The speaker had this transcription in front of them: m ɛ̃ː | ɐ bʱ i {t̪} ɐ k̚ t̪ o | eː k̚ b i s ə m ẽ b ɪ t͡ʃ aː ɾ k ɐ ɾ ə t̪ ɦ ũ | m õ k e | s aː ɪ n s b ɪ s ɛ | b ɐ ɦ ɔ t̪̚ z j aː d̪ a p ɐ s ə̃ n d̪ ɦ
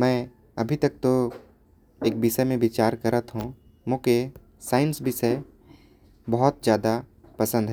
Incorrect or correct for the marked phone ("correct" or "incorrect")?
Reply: correct